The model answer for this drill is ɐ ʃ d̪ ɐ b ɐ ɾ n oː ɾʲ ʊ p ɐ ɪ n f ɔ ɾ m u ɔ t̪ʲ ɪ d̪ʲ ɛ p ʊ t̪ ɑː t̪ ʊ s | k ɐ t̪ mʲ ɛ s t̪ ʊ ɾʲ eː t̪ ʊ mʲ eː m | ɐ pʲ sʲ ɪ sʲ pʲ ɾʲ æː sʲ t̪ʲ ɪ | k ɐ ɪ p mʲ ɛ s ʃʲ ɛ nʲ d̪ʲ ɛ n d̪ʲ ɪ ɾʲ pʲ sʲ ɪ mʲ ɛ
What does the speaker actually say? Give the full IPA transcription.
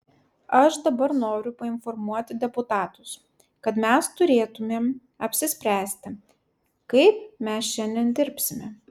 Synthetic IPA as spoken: ɐ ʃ d̪ ɐ b ɐ ɾ n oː ɾʲ ʊ p ɐ ɪ n f ɔ ɾ m u ɔ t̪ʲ ɪ d̪ʲ ɛ p ʊ t̪ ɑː t̪ ʊ s | k ɐ t̪ mʲ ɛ s t̪ ʊ ɾʲ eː t̪ ʊ mʲ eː m | ɐ pʲ sʲ ɪ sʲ pʲ ɾʲ æː sʲ t̪ʲ ɪ | k ɐ ɪ p mʲ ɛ s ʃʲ ɛ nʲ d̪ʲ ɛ n d̪ʲ ɪ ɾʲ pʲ sʲ ɪ mʲ ɛ